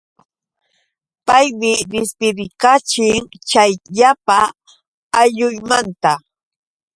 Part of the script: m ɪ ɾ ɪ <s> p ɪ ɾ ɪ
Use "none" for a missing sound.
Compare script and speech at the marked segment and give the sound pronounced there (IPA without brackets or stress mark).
s